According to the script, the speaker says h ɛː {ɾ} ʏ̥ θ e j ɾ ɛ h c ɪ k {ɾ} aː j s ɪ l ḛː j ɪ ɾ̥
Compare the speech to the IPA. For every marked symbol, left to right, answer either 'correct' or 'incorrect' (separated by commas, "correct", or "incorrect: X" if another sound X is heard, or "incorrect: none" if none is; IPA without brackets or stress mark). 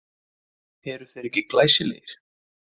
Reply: correct, incorrect: l